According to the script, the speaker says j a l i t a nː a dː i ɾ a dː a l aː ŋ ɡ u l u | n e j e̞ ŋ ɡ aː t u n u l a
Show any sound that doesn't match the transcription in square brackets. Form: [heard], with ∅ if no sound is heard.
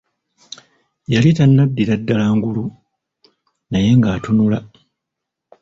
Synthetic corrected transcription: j a l i t a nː a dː i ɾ a dː a l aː ŋ ɡ u l u | n [a] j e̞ ŋ ɡ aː t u n u l a